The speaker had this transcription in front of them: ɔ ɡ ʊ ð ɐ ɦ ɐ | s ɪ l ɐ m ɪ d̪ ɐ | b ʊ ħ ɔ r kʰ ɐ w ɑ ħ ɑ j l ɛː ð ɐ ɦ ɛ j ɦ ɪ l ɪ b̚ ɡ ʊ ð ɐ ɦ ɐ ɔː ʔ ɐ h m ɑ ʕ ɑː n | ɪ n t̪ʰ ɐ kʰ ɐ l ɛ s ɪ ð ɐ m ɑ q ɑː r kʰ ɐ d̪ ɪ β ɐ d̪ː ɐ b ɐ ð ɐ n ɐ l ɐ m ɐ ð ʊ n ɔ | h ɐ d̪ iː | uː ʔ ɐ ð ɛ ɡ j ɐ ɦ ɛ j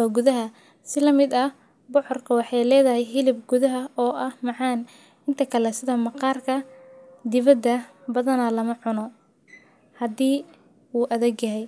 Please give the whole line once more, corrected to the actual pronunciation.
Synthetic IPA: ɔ ɡ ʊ ð ɐ ɦ ɐ | s ɪ l ɐ m ɪ d̪ ɐ | b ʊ ħ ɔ r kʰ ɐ w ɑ ħ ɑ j l ɛː ð ɐ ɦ ɛ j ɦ ɪ l ɪ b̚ ɡ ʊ ð ɐ ɦ ɐ ɔː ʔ ɐ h m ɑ ʕ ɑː n | ɪ n t̪ʰ ɐ kʰ ɐ l ɛ s ɪ ð ɐ m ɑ q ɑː r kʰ ɐ d̪ ɪ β ɐ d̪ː ɐ b ɐ ð ɐ n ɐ l ɐ m ɐ ʕ ʊ n ɔ | h ɐ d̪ iː | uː ʔ ɐ ð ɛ ɡ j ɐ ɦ ɛ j